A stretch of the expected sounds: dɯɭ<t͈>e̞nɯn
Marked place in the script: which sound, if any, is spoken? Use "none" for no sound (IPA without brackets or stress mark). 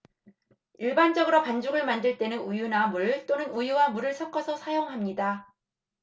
t͈